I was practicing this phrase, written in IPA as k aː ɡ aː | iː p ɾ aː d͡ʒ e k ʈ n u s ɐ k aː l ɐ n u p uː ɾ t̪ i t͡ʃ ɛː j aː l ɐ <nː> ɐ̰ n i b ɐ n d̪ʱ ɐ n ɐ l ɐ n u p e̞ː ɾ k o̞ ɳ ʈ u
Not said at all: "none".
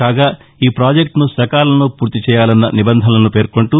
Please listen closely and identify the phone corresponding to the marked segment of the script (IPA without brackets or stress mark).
nː